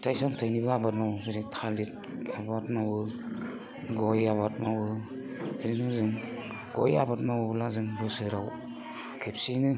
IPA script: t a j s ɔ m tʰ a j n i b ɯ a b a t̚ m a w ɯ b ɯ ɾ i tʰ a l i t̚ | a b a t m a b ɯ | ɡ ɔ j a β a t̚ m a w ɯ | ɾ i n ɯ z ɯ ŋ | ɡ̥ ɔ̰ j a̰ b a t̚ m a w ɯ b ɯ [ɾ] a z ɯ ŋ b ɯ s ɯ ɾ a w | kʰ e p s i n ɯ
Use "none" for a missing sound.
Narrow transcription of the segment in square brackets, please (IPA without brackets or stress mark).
l